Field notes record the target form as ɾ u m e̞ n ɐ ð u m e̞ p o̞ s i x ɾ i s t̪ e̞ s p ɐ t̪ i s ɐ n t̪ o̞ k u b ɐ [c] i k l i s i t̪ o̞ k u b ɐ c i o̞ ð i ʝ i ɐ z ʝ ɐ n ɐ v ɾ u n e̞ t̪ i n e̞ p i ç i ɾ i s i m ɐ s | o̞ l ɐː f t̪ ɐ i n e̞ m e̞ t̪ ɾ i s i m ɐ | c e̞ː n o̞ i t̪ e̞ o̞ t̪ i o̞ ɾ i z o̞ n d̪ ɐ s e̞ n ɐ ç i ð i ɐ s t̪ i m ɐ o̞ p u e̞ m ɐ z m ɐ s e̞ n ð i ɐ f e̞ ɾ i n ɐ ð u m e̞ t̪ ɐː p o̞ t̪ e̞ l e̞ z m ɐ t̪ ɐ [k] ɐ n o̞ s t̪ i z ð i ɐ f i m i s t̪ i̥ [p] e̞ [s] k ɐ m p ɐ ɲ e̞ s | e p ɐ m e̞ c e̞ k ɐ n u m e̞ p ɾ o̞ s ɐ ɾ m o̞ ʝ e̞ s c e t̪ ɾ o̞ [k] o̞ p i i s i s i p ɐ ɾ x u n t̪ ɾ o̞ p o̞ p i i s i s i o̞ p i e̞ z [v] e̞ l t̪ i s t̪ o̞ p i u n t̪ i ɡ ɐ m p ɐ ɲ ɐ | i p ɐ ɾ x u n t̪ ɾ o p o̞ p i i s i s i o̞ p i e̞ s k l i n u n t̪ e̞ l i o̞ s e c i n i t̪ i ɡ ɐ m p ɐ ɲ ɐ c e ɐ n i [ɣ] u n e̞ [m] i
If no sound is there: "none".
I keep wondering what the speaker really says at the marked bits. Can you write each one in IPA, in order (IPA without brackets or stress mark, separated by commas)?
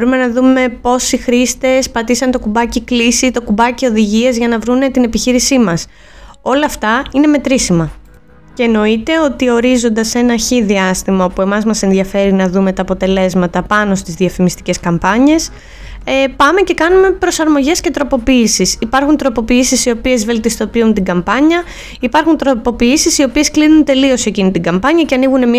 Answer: c, p, c, s, p, v, ɣ, m